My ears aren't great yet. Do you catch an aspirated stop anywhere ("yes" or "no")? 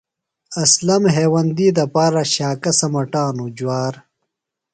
no